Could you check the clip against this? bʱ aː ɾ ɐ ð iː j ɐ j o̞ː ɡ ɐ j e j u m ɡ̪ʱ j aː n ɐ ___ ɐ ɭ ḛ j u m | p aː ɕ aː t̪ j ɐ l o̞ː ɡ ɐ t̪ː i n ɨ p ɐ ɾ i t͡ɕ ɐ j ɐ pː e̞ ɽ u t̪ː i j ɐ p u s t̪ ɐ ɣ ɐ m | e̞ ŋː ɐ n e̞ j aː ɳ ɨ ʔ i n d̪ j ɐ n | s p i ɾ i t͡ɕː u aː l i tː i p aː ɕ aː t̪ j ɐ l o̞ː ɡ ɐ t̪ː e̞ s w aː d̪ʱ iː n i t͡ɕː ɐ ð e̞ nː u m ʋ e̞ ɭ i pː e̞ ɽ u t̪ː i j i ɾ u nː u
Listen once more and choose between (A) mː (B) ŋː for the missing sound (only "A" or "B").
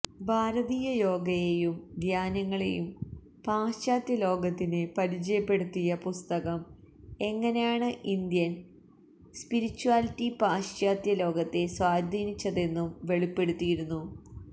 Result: B